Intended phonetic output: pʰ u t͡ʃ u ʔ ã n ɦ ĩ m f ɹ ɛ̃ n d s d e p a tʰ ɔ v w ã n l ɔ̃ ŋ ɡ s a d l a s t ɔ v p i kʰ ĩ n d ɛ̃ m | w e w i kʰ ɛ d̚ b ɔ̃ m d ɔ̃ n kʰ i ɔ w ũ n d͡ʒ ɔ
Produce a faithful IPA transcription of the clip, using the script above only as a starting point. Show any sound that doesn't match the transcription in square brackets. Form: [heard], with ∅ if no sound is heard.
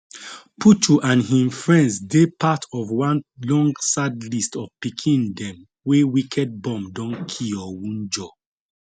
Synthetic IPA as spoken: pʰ u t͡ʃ u ʔ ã n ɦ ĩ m f ɹ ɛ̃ n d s d e p a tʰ ɔ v w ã n l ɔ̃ ŋ ɡ s a d l [i] s t ɔ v p i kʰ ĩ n d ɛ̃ m | w e w i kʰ ɛ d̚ b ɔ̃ m d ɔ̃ n kʰ i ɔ w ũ n d͡ʒ ɔ